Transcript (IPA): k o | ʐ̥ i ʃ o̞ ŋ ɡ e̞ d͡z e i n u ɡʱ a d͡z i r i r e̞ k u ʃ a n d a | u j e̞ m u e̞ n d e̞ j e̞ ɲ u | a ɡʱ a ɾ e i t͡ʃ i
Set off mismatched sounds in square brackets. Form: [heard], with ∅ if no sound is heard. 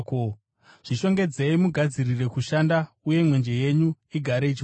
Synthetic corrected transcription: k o | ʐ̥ i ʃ o̞ ŋ ɡ e̞ d͡z e i [m] u ɡʱ a d͡z i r i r e̞ k u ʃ a n d a | u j e̞ m [w] e̞ n [d͡ʒ] e̞ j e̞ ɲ u | [i] ɡʱ a ɾ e i t͡ʃ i